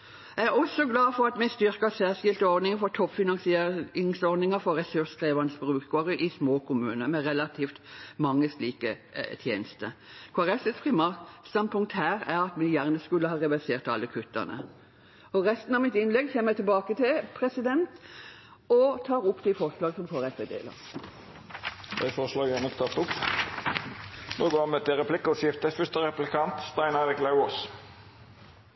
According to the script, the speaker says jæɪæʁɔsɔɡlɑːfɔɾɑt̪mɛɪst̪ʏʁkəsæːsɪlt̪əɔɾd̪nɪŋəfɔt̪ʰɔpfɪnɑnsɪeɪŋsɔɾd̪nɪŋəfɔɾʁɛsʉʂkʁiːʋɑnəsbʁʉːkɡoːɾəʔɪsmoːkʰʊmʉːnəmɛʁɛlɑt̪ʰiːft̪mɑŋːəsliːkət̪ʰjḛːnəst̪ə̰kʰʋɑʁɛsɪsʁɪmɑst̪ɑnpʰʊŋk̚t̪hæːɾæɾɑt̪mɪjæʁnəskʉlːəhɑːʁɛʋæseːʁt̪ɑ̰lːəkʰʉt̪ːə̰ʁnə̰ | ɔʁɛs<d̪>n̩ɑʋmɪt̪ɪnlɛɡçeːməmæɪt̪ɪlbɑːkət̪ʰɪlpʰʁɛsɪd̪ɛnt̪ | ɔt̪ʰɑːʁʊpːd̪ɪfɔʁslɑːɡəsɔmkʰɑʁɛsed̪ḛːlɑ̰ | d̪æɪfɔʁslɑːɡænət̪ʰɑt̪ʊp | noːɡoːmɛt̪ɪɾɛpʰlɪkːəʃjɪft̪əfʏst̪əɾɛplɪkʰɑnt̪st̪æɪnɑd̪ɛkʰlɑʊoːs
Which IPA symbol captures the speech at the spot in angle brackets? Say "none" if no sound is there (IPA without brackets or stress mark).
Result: t̪